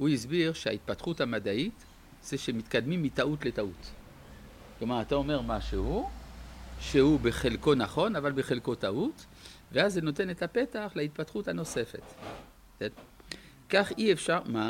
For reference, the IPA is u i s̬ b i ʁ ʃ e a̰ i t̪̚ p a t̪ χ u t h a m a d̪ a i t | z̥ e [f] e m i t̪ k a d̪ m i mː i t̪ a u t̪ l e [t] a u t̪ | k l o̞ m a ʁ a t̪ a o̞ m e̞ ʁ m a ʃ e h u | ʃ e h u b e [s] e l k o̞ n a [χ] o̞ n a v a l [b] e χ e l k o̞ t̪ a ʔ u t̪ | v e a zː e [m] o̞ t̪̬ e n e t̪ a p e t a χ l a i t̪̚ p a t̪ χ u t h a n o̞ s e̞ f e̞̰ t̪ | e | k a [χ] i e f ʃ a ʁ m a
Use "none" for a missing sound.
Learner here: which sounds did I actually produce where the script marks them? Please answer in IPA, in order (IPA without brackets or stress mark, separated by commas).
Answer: ʃ, t, χ, χ, b, n, χ